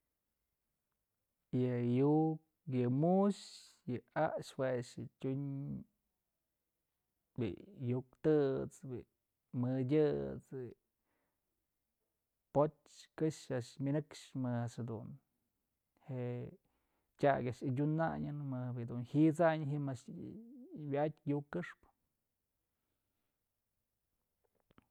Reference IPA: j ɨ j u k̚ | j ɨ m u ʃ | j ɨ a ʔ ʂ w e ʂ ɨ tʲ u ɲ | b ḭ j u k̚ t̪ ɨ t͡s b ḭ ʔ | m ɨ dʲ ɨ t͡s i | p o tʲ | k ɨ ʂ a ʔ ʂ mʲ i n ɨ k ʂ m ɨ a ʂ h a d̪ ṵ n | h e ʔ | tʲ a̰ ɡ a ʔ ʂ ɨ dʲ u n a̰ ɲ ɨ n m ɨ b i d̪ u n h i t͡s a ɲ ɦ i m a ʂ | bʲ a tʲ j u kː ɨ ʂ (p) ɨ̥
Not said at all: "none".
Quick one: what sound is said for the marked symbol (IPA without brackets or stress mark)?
p